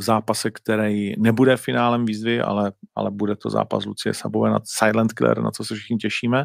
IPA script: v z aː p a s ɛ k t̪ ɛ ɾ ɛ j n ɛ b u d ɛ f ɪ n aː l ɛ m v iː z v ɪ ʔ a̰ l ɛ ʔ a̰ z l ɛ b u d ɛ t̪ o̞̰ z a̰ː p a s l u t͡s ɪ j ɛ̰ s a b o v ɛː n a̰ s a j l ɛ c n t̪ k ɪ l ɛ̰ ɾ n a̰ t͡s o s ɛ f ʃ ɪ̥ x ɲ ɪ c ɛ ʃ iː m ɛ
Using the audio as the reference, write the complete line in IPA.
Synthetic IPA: v z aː p a s ɛ k t̪ ɛ ɾ ɛ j n ɛ b u d ɛ f ɪ n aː l ɛ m v iː z v ɪ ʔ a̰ l ɛ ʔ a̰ l ɛ b u d ɛ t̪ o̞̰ z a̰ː p a s l u t͡s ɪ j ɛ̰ s a b o v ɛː n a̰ s a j l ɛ n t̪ k ɪ l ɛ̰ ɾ n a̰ t͡s o s ɛ f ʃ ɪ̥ x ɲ ɪ c ɛ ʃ iː m ɛ